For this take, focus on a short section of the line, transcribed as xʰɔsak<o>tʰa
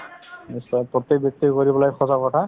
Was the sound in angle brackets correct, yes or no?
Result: no